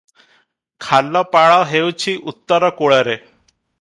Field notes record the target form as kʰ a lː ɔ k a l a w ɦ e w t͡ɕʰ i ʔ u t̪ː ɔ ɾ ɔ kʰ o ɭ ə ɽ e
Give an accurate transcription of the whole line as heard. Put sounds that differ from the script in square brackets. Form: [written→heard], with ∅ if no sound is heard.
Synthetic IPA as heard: kʰ a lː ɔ [k→p] a [l→ɭ] a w ɦ e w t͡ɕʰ i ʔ u t̪ː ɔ ɾ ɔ [kʰ→k] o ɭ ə [ɽ→ɾ] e

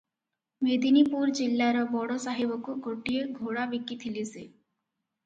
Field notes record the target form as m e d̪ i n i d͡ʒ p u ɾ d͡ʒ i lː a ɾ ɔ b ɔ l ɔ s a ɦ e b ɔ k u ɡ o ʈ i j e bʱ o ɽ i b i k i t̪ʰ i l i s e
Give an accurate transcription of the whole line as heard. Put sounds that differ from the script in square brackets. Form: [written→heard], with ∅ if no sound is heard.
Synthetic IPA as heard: m e d̪ i n i [d͡ʒ→∅] p u ɾ d͡ʒ i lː a ɾ ɔ b ɔ [l→ɽ] ɔ s a ɦ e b ɔ k u ɡ o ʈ i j e [bʱ→ɡʱ] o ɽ [i→a] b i k i t̪ʰ i l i s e

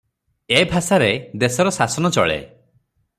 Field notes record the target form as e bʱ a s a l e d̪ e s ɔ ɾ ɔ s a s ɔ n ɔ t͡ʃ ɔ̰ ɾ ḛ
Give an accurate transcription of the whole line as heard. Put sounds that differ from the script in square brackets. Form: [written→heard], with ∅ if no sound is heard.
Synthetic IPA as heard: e bʱ a s a [l→ɾ] e d̪ e s ɔ ɾ ɔ s a s ɔ n ɔ t͡ʃ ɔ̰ [ɾ→ɭ] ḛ

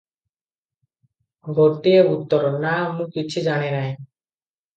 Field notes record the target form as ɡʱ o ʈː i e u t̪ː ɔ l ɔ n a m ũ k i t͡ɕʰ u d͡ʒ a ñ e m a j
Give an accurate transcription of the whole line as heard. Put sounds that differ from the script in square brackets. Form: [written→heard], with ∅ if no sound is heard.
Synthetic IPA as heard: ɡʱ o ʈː i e u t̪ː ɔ [l→ɾ] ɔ n a m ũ k i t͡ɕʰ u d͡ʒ a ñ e [m→n] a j

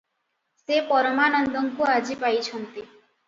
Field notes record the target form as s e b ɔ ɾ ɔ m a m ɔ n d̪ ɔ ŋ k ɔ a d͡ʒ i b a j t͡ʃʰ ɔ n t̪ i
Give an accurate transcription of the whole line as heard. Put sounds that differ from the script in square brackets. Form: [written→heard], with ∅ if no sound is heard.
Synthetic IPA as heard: s e [b→p] ɔ ɾ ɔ m a [m→n] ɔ n d̪ ɔ ŋ k [ɔ→u] a d͡ʒ i [b→p] a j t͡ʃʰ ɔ n t̪ i

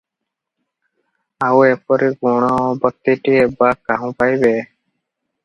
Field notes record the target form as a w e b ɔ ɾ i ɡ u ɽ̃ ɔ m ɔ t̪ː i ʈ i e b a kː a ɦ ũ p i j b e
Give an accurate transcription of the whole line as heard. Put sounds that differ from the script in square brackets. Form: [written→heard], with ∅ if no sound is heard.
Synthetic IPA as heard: a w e [b→p] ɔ ɾ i ɡ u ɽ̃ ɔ [m→b] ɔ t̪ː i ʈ i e b a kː a ɦ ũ p [i→a] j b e

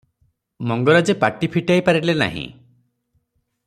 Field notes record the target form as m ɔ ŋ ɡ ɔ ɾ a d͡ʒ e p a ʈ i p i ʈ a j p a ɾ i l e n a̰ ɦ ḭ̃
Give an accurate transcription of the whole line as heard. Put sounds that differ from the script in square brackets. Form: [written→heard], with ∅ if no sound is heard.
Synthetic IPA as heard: m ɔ ŋ ɡ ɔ ɾ a d͡ʒ e p a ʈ i [p→pʰ] i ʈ a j p a ɾ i l e n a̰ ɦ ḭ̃

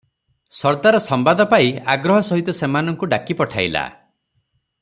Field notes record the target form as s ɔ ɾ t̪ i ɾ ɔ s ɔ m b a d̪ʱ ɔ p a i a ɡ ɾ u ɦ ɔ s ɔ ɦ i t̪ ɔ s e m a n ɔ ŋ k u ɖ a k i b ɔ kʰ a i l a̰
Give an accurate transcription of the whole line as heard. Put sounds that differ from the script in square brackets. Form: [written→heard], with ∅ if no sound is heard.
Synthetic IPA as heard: s ɔ ɾ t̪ [i→a] ɾ ɔ s ɔ m b a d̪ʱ ɔ p a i a ɡ ɾ [u→ɔ] ɦ ɔ s ɔ ɦ i t̪ ɔ s e m a n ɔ ŋ k u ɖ a k i [b→p] ɔ [kʰ→ʈʰ] a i l a̰

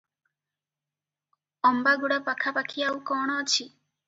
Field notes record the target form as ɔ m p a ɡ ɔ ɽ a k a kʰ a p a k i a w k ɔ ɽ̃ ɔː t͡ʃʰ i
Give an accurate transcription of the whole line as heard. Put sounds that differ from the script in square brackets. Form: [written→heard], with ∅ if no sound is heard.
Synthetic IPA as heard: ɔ m [p→b] a ɡ [ɔ→u] ɽ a [k→p] a kʰ a p a [k→kʰ] i a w k ɔ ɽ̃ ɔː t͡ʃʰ i

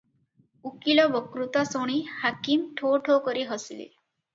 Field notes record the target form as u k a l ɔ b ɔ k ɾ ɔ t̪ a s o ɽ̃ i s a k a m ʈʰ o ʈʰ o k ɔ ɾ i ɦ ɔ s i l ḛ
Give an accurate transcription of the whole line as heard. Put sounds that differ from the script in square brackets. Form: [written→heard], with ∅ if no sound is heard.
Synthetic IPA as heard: u k [a→i] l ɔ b ɔ k ɾ [ɔ→u] t̪ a s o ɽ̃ i [s→h] a k [a→i] m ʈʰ o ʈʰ o k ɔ ɾ i ɦ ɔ s i l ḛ

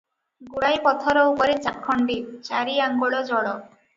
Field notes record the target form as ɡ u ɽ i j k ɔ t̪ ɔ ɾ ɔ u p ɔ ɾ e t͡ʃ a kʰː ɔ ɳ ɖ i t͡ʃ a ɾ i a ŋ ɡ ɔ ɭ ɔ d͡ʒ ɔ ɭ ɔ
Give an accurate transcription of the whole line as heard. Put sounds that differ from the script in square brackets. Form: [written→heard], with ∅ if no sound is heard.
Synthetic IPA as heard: ɡ u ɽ [i→a] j [k→p] ɔ [t̪→t̪ʰ] ɔ ɾ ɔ u p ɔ ɾ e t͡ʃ a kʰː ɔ ɳ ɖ i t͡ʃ a ɾ i a ŋ ɡ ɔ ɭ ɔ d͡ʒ ɔ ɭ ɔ

